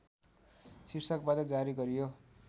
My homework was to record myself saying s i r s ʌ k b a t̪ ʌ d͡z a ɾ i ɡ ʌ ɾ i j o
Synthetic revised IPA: s i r s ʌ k b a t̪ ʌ d͡z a ɾ i ɡ ʌ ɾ i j o